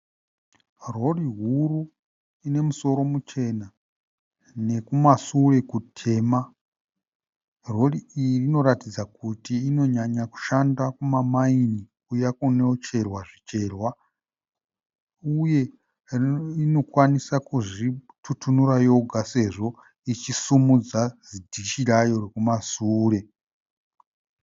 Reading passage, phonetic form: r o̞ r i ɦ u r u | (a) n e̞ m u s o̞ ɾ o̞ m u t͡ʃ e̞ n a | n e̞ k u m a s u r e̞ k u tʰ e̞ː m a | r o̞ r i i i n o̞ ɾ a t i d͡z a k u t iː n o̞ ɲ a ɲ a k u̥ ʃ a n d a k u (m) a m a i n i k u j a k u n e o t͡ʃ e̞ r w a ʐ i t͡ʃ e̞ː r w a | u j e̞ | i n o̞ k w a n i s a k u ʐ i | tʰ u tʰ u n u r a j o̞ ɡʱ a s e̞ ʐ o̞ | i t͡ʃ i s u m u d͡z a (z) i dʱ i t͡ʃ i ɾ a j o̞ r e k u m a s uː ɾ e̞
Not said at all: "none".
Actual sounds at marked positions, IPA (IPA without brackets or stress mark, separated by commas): i, m, z